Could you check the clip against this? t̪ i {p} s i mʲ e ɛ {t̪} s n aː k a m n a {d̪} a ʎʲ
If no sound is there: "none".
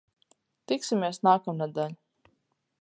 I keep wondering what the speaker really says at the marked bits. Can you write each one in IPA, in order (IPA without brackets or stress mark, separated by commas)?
k, none, d̪